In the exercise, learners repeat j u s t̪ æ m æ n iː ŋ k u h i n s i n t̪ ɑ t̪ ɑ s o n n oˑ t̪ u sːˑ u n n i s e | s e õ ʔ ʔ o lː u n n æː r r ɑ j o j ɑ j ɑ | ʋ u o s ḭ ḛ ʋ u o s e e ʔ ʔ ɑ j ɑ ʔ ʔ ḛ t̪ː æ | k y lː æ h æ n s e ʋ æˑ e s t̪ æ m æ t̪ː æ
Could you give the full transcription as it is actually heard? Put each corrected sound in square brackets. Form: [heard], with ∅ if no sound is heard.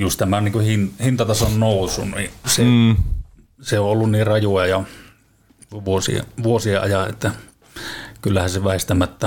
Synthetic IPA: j u s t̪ æ m æ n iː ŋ k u h i n [h] i n t̪ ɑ t̪ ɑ s o n n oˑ [∅] u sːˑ u n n i s e | s e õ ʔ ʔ o lː u n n [iː] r r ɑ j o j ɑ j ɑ | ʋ u o s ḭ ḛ ʋ u o s [i] e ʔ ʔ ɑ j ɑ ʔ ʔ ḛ t̪ː æ | k y lː æ h æ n s e ʋ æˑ e s t̪ æ m æ t̪ː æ